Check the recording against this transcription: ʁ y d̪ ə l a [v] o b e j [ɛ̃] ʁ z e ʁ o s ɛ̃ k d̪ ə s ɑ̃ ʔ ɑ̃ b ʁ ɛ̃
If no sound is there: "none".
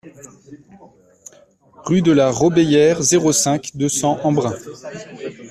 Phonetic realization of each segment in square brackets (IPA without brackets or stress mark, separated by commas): ʁ, ɛ